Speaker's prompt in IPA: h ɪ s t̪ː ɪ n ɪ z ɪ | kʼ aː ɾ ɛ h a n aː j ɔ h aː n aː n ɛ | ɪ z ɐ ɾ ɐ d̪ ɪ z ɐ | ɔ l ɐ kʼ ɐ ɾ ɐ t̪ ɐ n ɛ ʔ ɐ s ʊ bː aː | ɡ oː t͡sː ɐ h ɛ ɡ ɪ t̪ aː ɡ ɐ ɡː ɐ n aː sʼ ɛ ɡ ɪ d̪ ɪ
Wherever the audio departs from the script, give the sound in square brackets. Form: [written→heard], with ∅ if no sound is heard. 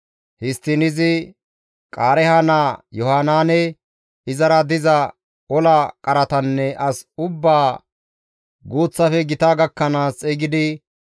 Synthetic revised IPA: h ɪ s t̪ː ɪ n ɪ z ɪ | kʼ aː ɾ ɛ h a n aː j ɔ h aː n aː n ɛ | ɪ z ɐ ɾ ɐ d̪ ɪ z ɐ | ɔ l ɐ kʼ ɐ ɾ ɐ t̪ ɐ [n→nː] ɛ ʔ ɐ s ʊ bː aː | ɡ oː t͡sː ɐ [h→f] ɛ ɡ ɪ t̪ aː ɡ ɐ [ɡː→kː] ɐ n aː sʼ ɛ ɡ ɪ d̪ ɪ